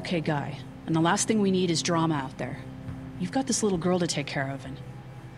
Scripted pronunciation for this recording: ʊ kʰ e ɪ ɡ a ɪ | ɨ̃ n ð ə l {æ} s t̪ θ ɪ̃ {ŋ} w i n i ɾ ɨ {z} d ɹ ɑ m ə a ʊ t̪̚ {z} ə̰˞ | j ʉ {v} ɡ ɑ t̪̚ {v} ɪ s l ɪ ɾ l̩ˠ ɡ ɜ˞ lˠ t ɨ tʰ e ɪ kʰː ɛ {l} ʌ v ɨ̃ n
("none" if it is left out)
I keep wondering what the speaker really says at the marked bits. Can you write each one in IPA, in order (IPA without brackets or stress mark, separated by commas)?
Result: æ, ŋ, z, ð, v, ð, ɹ